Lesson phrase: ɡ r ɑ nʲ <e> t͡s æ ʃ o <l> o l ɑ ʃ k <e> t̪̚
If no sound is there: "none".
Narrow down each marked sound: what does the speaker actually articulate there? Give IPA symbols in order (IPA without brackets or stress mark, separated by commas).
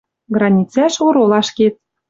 i, ɾ, e